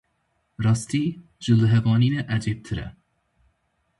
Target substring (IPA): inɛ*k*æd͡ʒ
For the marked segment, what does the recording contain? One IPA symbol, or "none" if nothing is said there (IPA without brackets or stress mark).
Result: ʔ